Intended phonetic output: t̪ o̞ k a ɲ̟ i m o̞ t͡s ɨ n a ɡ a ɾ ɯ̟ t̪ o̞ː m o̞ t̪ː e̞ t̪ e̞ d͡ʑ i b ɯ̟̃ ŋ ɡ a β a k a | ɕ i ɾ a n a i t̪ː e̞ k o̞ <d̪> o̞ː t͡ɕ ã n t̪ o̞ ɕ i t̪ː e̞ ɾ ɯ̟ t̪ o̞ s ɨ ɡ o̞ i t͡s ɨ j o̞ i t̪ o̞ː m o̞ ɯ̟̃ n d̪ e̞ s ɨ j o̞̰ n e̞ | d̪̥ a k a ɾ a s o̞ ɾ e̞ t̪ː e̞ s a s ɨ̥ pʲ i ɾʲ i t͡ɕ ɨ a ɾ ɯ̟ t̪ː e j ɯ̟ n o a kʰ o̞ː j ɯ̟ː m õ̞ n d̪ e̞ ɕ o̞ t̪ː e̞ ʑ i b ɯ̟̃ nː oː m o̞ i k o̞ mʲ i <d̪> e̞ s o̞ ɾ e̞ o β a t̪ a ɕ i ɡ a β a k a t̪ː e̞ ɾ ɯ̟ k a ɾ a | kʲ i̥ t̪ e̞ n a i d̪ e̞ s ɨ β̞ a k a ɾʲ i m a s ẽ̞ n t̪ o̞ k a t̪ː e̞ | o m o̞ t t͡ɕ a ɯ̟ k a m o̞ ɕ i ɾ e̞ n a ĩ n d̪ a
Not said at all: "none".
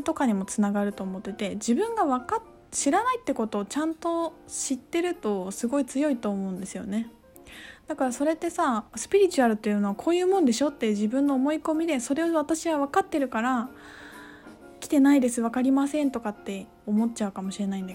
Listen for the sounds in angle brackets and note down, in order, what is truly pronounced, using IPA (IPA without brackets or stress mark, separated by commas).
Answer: t̪, d̪